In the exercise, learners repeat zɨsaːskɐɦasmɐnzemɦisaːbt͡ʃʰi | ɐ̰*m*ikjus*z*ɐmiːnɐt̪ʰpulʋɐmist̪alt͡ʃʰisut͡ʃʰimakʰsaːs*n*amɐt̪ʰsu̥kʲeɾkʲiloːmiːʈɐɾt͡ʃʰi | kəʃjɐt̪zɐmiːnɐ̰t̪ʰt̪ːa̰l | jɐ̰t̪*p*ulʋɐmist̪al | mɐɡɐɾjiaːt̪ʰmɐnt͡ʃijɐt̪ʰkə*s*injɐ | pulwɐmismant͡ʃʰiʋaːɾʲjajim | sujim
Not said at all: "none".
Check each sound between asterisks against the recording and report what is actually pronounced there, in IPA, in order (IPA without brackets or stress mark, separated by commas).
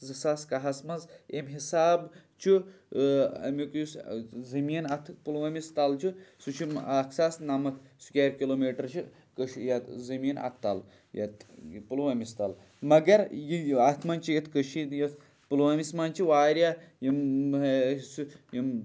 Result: m, z, n, p, ʃ